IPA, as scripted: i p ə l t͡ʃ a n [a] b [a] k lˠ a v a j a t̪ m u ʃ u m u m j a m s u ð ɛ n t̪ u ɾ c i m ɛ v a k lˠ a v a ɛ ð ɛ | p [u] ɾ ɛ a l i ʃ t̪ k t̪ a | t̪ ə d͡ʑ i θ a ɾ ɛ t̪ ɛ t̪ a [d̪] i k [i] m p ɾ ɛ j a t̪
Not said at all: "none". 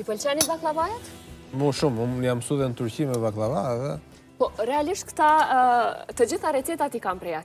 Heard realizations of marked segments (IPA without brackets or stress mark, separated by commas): i, a, ɔ, t̪, a